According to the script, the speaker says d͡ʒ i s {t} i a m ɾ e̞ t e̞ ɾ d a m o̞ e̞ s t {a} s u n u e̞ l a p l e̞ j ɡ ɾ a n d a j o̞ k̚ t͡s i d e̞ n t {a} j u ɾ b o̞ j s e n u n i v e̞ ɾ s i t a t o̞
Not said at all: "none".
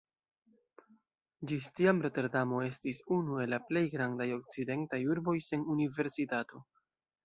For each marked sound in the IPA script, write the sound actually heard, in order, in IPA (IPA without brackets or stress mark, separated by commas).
t, i, a